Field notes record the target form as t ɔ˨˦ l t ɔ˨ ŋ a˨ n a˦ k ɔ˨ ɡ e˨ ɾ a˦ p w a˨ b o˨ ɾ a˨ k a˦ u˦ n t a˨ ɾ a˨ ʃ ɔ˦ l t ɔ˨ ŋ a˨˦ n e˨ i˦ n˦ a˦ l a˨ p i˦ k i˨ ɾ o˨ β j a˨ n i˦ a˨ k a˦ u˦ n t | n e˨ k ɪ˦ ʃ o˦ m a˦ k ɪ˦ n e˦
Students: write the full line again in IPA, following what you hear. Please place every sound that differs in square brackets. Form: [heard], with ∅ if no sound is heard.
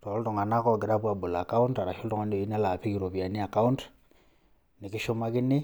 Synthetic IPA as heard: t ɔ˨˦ l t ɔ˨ ŋ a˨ n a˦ k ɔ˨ ɡ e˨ ɾ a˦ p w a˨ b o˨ [l] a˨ k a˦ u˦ n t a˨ ɾ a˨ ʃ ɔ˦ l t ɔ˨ ŋ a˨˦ n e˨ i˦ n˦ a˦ l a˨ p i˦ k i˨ ɾ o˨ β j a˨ n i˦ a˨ k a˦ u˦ n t | n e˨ k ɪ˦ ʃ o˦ m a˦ k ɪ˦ n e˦